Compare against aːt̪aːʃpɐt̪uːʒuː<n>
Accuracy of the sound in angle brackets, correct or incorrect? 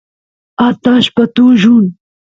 correct